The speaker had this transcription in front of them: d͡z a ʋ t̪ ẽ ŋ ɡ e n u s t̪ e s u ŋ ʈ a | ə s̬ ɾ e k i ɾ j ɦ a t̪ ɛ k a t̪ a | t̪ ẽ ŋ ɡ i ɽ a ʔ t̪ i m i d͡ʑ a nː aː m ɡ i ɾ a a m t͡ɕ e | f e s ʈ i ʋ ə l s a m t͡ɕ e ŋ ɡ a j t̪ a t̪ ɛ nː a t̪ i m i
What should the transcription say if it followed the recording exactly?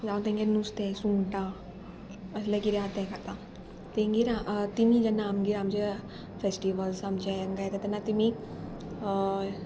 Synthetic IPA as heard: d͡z a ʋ t̪ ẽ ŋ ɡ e n u s t̪ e s u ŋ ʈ a | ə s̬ l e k i ɾ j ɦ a t̪ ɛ k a t̪ a | t̪ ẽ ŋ ɡ i ɾ a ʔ t̪ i m i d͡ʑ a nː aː m ɡ i ɾ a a m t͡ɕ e | f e s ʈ i ʋ ə l s a m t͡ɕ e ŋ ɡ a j t̪ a t̪ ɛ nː a t̪ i m i